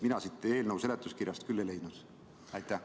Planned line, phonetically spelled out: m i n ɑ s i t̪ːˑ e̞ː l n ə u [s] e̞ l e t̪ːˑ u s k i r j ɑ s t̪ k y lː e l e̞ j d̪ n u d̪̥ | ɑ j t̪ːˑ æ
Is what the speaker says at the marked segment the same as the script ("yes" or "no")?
yes